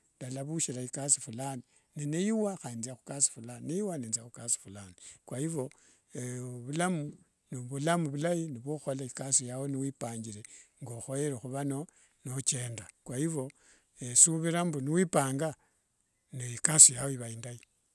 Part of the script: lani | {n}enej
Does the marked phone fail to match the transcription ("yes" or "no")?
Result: no